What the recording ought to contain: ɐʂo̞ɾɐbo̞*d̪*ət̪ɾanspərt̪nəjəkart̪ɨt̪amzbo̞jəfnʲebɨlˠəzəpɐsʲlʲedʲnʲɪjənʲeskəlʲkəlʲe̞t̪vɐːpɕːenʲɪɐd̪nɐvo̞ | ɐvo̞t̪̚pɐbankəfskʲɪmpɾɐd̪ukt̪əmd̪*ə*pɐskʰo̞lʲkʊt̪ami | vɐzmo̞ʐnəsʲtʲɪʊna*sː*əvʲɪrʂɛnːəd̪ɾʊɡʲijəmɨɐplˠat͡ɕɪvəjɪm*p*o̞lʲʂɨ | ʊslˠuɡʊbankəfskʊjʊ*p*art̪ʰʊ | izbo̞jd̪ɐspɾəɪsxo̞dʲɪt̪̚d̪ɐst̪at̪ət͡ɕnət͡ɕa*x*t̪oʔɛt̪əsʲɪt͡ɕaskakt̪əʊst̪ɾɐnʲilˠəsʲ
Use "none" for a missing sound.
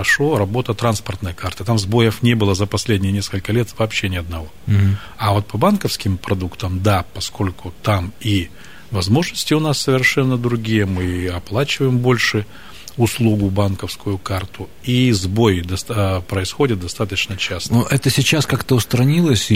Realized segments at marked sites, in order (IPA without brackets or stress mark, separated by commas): t̪, a, sː, b, k, s